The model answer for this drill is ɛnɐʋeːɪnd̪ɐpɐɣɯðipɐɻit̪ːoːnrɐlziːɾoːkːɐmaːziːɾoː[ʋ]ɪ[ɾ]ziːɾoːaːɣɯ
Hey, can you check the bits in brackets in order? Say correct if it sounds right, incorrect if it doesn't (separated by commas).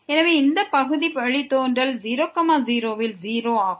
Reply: correct, incorrect